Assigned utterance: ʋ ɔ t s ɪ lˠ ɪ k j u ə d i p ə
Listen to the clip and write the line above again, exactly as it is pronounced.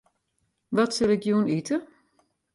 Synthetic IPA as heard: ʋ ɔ t s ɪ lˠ ɪ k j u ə n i t ə